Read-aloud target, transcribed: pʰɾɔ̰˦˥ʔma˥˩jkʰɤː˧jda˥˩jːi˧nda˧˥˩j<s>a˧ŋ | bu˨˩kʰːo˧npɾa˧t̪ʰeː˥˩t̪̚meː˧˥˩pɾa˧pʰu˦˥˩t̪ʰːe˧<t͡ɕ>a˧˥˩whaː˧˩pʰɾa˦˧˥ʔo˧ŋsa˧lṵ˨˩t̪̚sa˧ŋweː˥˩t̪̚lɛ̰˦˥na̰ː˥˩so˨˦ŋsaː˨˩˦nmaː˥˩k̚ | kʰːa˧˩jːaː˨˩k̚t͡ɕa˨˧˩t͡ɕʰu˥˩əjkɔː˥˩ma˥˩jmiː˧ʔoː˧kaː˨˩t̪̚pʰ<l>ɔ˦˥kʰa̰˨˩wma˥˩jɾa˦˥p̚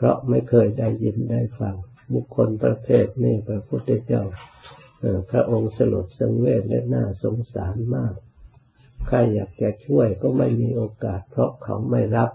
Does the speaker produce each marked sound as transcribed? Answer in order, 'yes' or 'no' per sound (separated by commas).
no, yes, no